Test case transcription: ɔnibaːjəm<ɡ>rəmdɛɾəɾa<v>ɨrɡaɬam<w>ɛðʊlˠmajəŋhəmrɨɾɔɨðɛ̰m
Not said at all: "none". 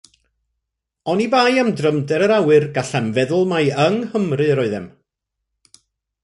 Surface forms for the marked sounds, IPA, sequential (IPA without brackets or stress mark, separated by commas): d, w, v